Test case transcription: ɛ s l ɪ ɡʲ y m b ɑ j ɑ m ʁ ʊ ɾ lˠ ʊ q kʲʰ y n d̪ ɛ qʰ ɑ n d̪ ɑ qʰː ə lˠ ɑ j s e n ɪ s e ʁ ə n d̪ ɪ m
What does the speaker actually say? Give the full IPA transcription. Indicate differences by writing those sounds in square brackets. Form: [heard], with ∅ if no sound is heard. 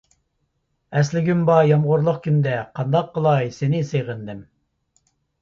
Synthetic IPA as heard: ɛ s l ɪ ɡʲ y m b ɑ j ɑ m ʁ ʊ ɾ lˠ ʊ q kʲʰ y n d̪ ɛ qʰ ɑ n d̪ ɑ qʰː ə lˠ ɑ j s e n ɪ s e ʁ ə n d̪ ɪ m